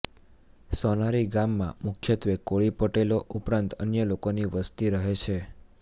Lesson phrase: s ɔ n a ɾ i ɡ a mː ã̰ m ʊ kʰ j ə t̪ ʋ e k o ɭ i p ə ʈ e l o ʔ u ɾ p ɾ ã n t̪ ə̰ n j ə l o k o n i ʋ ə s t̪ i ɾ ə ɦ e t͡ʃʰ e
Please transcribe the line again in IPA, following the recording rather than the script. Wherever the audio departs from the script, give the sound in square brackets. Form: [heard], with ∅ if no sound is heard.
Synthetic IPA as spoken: s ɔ n a ɾ i ɡ a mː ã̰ m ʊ kʰ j ə t̪ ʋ e k o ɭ i p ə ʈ e l o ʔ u [∅] p ɾ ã n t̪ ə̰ n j ə l o k o n i ʋ ə s t̪ i ɾ ə ɦ e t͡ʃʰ e